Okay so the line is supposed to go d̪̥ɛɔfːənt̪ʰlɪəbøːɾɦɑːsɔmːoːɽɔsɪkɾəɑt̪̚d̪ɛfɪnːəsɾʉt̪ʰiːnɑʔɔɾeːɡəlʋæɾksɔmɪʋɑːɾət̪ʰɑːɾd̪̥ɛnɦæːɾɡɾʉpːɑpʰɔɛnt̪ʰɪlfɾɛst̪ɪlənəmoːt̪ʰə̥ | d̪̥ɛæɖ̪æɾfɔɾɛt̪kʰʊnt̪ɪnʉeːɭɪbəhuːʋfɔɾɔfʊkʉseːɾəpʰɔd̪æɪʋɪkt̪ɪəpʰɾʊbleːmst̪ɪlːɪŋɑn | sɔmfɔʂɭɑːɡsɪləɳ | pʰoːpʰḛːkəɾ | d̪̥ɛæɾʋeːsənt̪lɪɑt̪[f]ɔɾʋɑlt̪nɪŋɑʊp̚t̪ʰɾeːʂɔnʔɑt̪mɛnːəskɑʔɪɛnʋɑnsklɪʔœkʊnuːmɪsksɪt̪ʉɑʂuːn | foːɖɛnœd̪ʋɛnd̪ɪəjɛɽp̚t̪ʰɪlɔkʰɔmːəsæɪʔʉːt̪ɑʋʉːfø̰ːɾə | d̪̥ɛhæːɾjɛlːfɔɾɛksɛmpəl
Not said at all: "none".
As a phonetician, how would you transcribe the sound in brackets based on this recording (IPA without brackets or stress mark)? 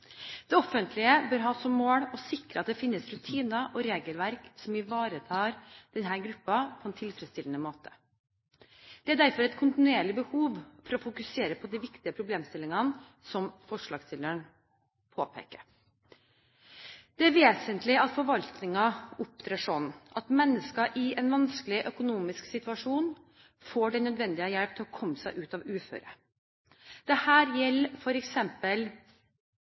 f